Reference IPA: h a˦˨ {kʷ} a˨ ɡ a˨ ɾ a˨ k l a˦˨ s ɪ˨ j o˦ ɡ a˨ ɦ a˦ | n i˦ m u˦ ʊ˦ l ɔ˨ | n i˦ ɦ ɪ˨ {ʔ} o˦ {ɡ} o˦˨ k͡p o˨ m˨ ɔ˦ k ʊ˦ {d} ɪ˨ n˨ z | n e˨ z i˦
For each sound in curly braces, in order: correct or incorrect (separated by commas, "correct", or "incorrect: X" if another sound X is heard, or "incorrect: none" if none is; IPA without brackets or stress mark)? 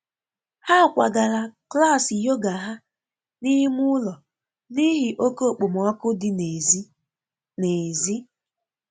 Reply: correct, correct, incorrect: k, correct